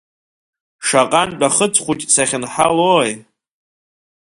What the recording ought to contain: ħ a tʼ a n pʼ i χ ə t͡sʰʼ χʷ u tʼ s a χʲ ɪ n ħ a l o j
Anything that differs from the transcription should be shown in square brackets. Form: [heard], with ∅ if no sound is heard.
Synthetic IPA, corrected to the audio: [ʂ] a [qʼ] a n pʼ [a] χ ə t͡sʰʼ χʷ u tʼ s a χʲ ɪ n ħ a l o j